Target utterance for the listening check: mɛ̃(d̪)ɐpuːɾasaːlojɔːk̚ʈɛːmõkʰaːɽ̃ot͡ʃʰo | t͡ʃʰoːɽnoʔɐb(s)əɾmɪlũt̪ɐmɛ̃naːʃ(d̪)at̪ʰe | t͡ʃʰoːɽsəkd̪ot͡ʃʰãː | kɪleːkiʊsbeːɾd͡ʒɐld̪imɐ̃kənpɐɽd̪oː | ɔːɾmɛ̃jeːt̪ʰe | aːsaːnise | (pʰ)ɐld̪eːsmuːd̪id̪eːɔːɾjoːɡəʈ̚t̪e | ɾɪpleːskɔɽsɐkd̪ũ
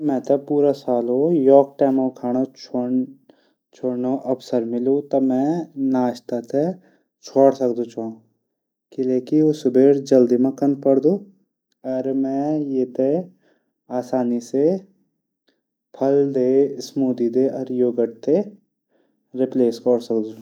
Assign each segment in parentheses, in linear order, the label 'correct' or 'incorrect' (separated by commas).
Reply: incorrect, correct, incorrect, correct